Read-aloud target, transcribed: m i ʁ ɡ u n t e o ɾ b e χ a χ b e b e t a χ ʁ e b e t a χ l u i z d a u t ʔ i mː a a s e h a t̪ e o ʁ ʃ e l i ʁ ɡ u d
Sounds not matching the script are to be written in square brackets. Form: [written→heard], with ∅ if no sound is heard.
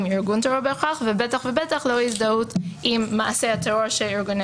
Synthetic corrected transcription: m i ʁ ɡ u n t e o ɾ b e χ a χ [b→v] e b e t a χ [ʁ→v] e b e t a χ l [u→o] i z d a u t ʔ i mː a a s e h a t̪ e o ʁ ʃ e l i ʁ ɡ u [d→n]